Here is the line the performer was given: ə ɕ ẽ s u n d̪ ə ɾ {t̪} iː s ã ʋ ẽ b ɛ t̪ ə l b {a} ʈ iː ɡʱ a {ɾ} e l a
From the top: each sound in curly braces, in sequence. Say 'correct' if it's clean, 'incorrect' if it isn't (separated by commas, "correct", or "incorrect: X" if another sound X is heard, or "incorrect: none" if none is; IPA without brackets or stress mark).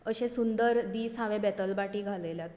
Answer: incorrect: d̪, correct, incorrect: l